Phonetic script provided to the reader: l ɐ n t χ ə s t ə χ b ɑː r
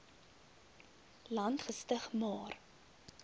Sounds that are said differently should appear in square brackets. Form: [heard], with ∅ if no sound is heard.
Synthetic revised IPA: l ɐ n t χ ə s t ə χ [m] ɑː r